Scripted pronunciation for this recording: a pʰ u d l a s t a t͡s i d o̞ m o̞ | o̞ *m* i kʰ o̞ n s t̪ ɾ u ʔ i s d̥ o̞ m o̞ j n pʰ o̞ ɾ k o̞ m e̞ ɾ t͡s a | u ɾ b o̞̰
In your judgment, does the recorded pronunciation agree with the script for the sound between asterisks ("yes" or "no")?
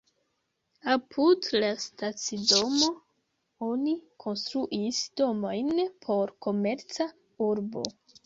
no